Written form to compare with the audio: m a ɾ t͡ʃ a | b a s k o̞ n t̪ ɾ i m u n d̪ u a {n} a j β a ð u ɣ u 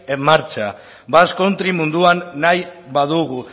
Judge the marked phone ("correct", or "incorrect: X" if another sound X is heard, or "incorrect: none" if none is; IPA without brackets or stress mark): incorrect: nː